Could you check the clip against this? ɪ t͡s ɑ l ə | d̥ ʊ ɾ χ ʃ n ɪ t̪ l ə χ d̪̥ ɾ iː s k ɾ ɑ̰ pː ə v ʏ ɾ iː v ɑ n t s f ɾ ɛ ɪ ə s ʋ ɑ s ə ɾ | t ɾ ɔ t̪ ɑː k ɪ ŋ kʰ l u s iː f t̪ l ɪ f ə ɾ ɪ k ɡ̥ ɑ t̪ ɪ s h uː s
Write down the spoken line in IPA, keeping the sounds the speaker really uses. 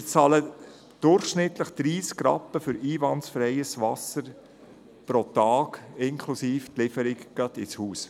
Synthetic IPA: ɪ t͡s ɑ l ə | d̥ ʊ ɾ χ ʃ n ɪ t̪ l ə χ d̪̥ ɾ iː s k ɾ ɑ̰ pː ə f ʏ ɾ iː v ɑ n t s f ɾ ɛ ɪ ə s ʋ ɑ s ə ɾ | p ɾ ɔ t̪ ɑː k ɪ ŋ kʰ l u s iː f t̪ l ɪ f ə ɾ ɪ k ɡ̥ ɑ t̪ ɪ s h uː s